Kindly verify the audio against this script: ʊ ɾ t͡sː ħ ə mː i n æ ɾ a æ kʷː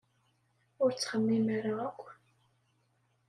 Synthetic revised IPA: ʊ ɾ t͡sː χ ə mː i m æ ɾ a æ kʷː